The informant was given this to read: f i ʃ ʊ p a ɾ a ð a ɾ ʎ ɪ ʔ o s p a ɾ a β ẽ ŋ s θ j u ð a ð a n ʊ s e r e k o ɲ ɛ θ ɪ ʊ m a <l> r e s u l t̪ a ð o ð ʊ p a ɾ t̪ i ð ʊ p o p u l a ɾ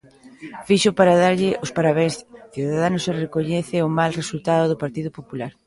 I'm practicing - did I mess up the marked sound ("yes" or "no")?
no